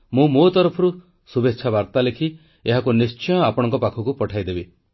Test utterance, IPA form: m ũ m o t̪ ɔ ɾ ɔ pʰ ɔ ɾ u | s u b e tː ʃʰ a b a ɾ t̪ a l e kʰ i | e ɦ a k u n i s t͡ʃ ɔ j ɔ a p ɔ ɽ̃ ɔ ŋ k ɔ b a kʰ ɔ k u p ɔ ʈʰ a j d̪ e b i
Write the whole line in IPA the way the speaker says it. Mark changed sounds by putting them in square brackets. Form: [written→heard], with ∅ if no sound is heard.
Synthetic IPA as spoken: m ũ m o t̪ ɔ ɾ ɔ pʰ ɔ ɾ u | s u b e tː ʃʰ a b a ɾ t̪ a l e kʰ i | e ɦ a k u n i s t͡ʃ ɔ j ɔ a p ɔ ɽ̃ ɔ ŋ k ɔ [b→p] a kʰ ɔ k u p ɔ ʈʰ a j d̪ e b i